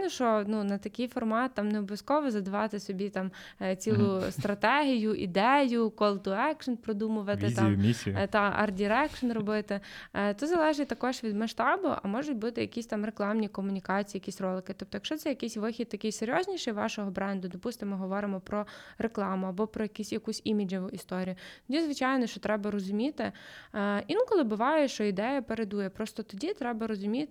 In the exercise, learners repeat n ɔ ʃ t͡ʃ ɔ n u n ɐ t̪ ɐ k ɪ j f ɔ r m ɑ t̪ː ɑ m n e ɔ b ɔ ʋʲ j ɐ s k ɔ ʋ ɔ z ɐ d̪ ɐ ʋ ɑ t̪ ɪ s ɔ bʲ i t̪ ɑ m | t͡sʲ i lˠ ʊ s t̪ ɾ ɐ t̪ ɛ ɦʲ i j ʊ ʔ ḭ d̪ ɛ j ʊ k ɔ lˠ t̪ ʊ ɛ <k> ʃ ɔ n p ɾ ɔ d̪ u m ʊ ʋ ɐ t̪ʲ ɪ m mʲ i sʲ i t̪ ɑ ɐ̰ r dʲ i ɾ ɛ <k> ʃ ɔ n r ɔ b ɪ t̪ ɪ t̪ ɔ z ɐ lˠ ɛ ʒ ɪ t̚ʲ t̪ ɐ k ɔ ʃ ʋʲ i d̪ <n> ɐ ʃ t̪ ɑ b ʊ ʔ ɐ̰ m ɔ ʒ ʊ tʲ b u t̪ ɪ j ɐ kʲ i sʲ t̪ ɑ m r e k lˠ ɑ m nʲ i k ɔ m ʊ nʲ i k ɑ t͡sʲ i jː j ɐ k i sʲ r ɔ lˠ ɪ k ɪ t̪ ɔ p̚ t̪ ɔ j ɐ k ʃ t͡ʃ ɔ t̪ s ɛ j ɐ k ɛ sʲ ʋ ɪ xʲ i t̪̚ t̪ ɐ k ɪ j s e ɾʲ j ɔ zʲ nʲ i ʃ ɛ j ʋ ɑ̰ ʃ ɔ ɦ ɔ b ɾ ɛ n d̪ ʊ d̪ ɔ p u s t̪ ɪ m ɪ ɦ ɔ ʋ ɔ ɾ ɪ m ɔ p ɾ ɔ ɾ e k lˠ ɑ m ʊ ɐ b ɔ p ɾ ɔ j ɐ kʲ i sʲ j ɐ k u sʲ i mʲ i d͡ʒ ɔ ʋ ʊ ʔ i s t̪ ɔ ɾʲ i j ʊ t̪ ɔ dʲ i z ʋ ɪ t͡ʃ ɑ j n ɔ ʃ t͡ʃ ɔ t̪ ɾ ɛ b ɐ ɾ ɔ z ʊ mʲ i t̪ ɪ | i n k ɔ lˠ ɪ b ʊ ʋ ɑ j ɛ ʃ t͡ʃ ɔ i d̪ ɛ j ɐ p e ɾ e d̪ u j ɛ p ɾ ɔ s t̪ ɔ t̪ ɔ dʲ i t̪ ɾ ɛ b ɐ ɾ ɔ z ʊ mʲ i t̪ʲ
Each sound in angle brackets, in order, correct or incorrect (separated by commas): correct, correct, incorrect